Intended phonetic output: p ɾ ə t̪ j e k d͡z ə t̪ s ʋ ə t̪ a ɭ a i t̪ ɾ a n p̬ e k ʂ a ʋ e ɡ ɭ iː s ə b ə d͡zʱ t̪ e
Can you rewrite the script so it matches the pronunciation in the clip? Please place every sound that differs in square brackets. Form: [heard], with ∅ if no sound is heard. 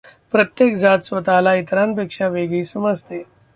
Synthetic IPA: p ɾ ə t̪ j e k d͡z [a] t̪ s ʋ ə t̪ a [l] a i t̪ ɾ a n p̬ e k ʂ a ʋ e ɡ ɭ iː s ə [m] ə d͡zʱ t̪ e

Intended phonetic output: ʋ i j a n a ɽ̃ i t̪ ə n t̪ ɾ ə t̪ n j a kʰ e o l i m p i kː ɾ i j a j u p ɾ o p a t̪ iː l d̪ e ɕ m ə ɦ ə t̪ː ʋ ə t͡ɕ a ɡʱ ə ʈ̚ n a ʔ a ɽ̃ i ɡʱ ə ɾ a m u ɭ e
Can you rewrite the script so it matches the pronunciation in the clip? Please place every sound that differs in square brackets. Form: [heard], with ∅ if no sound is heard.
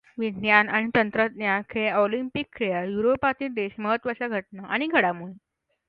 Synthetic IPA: ʋ i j a n a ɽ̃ i t̪ ə n t̪ ɾ ə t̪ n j a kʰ e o l i m p i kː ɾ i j a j u [∅] ɾ o p a t̪ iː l d̪ e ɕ m ə ɦ ə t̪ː ʋ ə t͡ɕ a ɡʱ ə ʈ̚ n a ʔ a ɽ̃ i ɡʱ ə [ɽ] a m u ɭ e

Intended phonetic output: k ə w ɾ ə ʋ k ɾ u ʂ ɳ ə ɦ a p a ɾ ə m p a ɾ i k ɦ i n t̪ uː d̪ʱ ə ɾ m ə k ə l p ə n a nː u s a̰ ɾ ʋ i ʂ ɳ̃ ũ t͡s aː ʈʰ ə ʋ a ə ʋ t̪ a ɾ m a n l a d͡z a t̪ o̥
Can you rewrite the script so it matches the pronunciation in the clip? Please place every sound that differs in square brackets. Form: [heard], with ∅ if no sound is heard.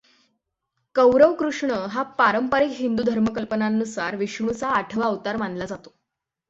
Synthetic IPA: k ə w ɾ ə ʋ k ɾ u ʂ ɳ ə ɦ a p a ɾ ə m p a ɾ i k ɦ i n [d̪] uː d̪ʱ ə ɾ m ə k ə l p ə n a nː u s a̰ ɾ ʋ i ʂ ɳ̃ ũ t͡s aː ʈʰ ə ʋ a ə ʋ t̪ a ɾ m a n l a d͡z a t̪ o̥

